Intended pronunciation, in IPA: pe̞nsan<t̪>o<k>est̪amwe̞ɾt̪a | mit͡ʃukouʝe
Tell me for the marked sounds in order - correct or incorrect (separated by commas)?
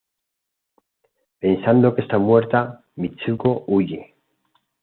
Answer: incorrect, correct